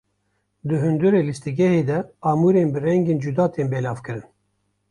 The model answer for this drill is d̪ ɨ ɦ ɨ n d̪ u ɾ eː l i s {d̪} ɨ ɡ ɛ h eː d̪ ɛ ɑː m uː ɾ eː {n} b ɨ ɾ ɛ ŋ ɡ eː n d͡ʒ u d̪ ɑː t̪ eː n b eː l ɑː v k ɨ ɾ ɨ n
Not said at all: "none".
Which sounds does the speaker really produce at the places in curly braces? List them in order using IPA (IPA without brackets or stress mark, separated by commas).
t̪, n